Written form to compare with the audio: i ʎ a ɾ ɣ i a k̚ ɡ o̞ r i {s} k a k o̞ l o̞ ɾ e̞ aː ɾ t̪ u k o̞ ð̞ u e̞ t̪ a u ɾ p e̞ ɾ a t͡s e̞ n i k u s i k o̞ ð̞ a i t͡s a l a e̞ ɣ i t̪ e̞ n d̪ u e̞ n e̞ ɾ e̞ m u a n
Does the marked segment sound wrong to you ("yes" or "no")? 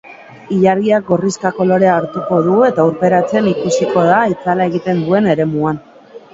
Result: no